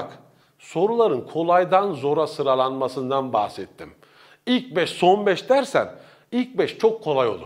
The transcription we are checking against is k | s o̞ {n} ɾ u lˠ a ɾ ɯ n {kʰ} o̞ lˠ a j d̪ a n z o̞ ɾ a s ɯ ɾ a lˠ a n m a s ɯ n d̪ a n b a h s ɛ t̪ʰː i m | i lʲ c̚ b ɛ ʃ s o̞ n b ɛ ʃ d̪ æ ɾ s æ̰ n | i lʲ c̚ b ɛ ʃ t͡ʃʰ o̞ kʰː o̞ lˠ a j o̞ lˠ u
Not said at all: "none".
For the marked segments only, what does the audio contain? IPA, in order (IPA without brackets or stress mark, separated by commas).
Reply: none, kʰ